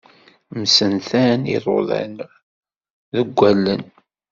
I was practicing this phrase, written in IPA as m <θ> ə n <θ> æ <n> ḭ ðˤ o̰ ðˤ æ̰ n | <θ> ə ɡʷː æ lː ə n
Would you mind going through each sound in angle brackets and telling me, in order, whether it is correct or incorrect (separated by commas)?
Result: incorrect, correct, correct, incorrect